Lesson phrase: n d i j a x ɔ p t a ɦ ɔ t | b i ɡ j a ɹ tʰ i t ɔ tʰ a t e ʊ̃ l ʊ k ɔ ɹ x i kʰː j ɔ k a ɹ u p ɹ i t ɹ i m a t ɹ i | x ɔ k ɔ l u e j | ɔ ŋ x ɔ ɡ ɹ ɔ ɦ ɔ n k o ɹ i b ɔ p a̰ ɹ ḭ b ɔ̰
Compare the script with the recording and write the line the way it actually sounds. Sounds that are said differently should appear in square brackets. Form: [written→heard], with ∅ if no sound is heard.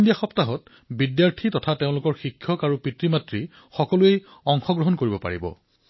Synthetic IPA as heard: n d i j a x ɔ p t a ɦ ɔ t | b i [ɡ→d] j a ɹ tʰ i t ɔ tʰ a t e ʊ̃ l ʊ k ɔ ɹ x i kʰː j ɔ k a ɹ u p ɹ i t ɹ i m a t ɹ i | x ɔ k ɔ l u e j | ɔ ŋ x ɔ ɡ ɹ ɔ ɦ ɔ n k o ɹ i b ɔ p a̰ ɹ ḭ b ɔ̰